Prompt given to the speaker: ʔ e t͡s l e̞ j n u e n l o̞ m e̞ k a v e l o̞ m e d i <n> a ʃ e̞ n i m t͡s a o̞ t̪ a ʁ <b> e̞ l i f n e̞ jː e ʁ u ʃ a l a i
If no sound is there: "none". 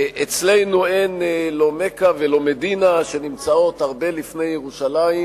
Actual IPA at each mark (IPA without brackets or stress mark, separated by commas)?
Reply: n, b